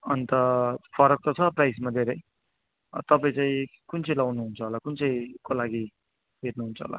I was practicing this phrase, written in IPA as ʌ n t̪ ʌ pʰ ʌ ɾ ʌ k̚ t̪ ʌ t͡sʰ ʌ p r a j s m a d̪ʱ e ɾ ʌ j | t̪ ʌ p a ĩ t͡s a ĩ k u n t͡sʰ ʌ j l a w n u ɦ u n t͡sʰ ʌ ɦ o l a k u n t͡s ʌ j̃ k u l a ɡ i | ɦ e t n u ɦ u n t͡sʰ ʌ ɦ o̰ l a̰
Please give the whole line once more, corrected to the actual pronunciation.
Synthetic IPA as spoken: ʌ n t̪ ʌ pʰ ʌ ɾ ʌ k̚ t̪ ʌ t͡sʰ ʌ p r a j s m a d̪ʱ e ɾ ʌ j | t̪ ʌ p a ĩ t͡s a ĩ k u n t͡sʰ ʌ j l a w n u ɦ u n t͡sʰ ʌ ɦ o l a k u n t͡s ʌ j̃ k o l a ɡ i | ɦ e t n u ɦ u n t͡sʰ ʌ ɦ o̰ l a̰

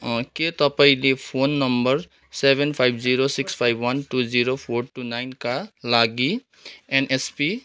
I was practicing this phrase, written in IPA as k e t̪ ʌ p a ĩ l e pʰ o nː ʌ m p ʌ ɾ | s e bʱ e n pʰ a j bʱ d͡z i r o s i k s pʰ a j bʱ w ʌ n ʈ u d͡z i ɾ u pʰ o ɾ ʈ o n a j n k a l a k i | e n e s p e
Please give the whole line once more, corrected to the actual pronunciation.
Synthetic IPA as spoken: k e t̪ ʌ p a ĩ l e pʰ o nː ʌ m b ʌ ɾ | s e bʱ e n pʰ a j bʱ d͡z i ɾ o s i k s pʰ a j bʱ w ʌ n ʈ u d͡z i ɾ o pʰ o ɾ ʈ u n a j n k a l a ɡ i | e n e s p i

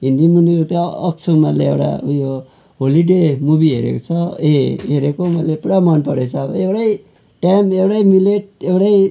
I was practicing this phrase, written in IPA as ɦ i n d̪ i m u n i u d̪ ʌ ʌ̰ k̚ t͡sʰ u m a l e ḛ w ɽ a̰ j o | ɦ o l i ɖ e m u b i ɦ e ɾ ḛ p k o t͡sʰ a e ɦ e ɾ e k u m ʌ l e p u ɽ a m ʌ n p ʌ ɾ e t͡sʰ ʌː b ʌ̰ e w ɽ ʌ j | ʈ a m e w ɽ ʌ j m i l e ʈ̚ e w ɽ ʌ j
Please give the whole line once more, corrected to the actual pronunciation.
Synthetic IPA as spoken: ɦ i n d̪ i m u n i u t̪ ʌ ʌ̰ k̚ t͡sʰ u m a l e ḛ w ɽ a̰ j o | ɦ o l i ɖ e m u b i ɦ e ɾ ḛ k o t͡sʰ ʌ e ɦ e ɾ e k o m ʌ l e p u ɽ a m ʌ n p ʌ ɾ e t͡sʰ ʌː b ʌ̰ e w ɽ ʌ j | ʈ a m e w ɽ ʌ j m i l e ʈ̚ e w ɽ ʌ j

